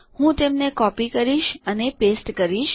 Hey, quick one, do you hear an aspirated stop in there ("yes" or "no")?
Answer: no